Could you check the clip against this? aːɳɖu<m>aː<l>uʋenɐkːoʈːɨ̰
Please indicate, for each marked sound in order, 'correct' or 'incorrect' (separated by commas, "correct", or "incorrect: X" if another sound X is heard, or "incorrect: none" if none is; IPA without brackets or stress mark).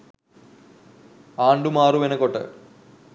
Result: correct, incorrect: r